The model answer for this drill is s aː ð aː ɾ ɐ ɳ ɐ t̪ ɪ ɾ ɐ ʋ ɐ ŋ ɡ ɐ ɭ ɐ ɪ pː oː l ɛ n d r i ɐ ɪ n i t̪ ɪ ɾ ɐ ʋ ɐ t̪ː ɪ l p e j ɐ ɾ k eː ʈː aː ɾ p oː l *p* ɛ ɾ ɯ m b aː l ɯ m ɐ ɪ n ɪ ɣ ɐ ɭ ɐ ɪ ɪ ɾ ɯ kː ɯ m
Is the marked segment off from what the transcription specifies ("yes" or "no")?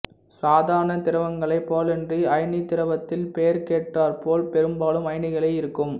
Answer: no